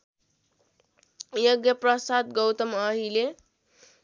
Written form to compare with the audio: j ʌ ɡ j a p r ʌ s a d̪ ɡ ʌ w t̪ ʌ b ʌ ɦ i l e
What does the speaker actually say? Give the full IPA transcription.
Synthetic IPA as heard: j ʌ ɡ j ʌ p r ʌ s a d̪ ɡ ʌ w t̪ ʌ m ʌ ɦ i l e